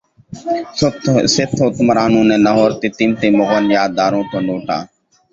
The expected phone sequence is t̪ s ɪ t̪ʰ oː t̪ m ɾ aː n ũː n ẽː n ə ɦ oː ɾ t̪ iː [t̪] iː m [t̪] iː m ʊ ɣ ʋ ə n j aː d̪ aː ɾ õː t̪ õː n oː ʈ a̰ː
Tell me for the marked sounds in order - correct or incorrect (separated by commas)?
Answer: correct, correct